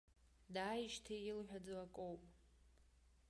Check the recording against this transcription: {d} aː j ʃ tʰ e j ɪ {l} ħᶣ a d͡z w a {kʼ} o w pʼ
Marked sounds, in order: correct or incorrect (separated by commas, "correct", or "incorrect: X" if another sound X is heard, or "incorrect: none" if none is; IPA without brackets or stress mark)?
correct, correct, correct